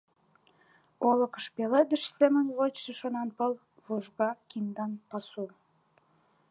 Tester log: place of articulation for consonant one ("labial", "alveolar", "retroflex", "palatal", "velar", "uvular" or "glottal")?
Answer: alveolar